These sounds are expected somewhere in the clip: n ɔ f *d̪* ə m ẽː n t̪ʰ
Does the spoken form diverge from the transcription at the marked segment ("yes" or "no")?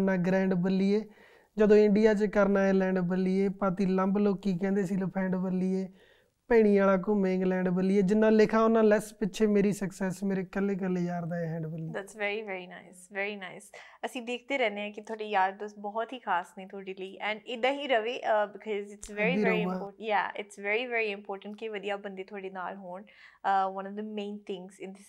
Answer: no